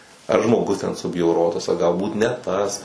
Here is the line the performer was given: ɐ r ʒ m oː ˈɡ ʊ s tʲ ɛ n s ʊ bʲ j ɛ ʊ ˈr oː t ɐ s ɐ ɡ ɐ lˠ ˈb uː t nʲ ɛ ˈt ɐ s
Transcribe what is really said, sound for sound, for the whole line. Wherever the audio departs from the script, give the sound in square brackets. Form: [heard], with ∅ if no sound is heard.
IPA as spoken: ɐ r ʒ m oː ˈɡ ʊ s tʲ ɛ n s ʊ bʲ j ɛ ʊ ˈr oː t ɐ s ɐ ɡ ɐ lˠ ˈb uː t nʲ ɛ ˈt ɐ s